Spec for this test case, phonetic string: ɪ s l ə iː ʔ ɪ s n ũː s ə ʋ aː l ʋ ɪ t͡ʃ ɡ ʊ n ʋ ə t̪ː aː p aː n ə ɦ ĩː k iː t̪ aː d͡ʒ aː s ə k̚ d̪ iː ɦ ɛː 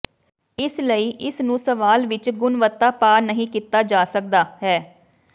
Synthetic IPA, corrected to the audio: ɪ s l ə iː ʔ ɪ s n ũː s ə ʋ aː l ʋ ɪ t͡ʃ ɡ ʊ n ʋ ə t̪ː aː p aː n ə ɦ ĩː k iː t̪ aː d͡ʒ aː s ə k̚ d̪ aː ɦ ɛː